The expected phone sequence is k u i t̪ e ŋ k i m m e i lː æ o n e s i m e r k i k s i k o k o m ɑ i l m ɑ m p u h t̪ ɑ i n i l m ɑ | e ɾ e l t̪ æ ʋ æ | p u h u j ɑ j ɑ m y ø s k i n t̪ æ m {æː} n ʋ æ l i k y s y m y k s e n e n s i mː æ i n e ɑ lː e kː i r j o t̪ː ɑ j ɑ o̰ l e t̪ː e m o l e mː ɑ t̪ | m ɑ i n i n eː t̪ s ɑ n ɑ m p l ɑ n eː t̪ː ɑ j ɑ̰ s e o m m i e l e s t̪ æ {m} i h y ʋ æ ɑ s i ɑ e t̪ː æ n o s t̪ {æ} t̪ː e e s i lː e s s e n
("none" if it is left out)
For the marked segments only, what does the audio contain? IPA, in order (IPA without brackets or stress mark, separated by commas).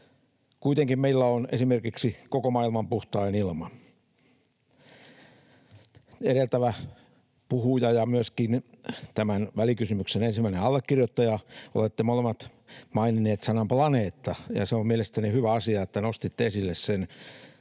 æ, n, i